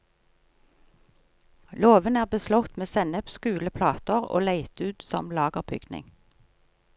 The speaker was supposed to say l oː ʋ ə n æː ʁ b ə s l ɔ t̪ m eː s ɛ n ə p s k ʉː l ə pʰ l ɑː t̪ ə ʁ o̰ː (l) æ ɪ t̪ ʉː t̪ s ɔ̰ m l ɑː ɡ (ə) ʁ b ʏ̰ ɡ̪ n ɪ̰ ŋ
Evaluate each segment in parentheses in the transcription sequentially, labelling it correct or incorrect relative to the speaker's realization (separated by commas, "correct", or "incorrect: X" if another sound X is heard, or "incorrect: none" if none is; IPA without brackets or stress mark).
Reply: correct, correct